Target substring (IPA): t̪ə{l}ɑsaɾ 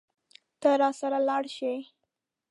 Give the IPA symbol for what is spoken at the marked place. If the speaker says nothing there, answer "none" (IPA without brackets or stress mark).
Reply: ɾ